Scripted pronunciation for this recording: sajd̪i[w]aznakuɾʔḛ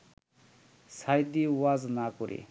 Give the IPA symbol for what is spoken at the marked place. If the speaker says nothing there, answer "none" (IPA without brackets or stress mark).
w